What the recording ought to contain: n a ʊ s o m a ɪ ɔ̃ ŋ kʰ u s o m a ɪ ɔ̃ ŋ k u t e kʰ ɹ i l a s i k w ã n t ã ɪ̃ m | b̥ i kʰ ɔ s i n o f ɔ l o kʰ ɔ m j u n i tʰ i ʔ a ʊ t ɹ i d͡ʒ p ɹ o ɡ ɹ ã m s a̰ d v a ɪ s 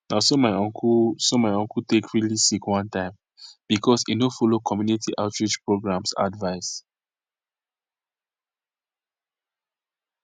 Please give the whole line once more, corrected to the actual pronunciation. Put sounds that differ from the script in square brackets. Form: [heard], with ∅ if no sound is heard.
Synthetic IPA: n a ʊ s o m a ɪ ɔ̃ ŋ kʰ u s o m a ɪ ɔ̃ ŋ k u t e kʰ ɹ i l [i] s i k w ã n t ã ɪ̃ m | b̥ i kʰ ɔ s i n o f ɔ l o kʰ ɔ m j u n i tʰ i ʔ a ʊ t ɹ i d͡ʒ p ɹ o ɡ ɹ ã m s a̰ d v a ɪ s